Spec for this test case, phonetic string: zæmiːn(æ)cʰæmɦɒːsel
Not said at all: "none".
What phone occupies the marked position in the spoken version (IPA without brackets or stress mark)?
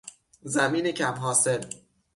e